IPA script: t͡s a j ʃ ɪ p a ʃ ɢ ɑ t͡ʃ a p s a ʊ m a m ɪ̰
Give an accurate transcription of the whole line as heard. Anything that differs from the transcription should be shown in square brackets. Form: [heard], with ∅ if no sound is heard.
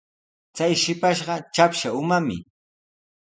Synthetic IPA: t͡s a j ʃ ɪ p a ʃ ɢ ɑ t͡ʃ a p [ʃ] a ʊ m a m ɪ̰